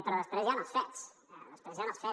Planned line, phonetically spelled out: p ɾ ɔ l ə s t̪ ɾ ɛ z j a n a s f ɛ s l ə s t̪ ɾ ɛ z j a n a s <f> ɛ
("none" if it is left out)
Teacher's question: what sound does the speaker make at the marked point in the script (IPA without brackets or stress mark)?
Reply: f